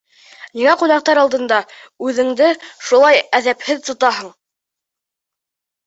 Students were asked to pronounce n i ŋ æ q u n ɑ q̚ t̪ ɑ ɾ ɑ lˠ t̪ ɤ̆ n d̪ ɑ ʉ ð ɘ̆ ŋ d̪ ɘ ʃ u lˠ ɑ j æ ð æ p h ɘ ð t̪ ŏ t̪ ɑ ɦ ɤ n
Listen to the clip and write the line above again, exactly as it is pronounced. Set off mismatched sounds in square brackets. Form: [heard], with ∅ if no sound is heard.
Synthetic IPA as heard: n i ŋ æ q u n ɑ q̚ t̪ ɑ ɾ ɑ lˠ [d̪] ɤ̆ n d̪ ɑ ʉ ð ɘ̆ ŋ d̪ ɘ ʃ u lˠ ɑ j æ ð æ p h ɘ ð t̪ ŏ t̪ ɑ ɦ ɤ [ɴ]